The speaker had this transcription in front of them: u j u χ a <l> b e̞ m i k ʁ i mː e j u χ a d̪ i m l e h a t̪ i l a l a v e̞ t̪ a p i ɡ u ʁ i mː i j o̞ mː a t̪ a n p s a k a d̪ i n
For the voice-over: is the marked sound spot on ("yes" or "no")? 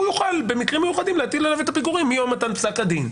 yes